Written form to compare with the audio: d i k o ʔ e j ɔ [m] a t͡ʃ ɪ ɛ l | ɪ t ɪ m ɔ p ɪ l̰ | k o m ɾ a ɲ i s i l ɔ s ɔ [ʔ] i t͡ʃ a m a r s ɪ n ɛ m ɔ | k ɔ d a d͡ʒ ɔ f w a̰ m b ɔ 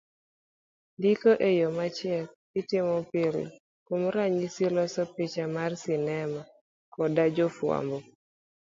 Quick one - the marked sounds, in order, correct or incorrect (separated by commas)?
correct, incorrect